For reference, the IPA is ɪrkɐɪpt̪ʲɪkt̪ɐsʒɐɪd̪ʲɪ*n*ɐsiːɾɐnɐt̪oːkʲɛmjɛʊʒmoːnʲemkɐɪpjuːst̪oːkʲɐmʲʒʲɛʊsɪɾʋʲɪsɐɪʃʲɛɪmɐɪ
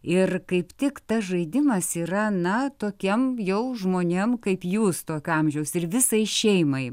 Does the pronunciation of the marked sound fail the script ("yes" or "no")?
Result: yes